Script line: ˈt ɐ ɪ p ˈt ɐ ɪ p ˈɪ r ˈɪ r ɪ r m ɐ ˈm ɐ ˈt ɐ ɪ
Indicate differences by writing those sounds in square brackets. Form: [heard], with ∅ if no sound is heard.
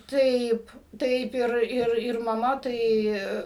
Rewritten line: ˈt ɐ ɪ p ˈt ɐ ɪ p ˈɪ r ˈɪ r ɪ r m ɐ ˈm ɐ ˈt ɐ ɪ

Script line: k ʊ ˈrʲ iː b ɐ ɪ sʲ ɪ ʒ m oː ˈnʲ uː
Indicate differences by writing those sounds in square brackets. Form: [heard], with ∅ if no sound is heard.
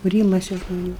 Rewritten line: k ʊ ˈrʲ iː [m] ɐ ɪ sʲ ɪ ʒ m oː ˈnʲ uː

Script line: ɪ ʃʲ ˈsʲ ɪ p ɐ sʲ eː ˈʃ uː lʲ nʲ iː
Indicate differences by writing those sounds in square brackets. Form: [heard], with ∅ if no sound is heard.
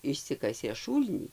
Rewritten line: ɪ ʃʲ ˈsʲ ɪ [k] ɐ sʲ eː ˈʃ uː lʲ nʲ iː

